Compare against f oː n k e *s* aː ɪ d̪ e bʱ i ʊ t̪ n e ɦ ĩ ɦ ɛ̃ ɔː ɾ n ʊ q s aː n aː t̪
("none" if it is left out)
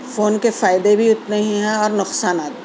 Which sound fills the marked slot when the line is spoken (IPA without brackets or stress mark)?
f